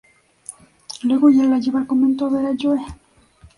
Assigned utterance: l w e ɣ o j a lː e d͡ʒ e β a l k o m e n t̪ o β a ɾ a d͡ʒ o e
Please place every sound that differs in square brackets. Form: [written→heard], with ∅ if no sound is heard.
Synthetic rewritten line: l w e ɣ o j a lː [e→a] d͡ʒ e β a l k o m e n t̪ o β [a→e] ɾ a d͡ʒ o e